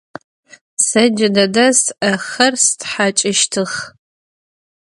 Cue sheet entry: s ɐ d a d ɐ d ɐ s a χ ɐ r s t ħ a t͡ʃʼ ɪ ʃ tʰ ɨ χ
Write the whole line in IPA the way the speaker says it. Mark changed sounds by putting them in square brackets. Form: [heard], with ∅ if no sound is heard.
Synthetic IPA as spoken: s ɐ [d͡ʒ] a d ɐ d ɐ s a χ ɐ r s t ħ a t͡ʃʼ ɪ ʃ tʰ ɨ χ